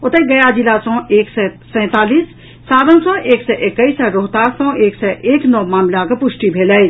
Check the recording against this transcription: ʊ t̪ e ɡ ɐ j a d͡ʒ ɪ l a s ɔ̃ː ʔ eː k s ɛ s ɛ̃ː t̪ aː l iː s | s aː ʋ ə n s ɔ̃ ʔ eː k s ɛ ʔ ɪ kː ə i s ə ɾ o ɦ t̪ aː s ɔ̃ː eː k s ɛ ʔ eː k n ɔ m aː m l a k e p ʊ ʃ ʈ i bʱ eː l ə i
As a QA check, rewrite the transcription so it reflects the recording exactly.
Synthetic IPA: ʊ t̪ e ɡ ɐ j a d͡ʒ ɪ l a s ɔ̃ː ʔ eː k s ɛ s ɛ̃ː t̪ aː l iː s | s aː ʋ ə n s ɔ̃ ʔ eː k s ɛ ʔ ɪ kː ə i s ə ɾ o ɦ t̪ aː s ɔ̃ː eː k s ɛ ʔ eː k n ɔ m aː m l a k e p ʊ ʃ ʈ i bʱ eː l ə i